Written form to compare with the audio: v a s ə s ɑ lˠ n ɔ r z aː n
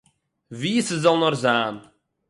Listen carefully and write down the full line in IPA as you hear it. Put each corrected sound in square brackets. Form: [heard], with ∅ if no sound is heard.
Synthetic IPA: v [i] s ə [z] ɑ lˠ n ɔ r z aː n